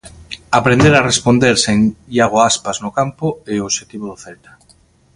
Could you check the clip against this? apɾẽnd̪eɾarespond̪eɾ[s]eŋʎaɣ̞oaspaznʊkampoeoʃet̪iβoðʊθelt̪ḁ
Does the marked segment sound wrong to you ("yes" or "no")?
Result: no